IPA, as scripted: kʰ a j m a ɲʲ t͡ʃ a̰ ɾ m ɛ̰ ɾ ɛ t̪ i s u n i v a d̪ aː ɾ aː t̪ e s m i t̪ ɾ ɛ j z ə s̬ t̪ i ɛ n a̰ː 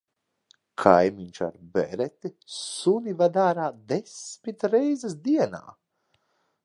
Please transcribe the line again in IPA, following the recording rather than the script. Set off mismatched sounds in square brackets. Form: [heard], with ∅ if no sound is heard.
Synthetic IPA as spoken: kʰ a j m [i] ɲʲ t͡ʃ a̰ ɾ [b] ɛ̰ ɾ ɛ t̪ i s u n i v a d̪ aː ɾ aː [d̪] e s m i t̪ ɾ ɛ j z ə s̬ [d̪] i ɛ n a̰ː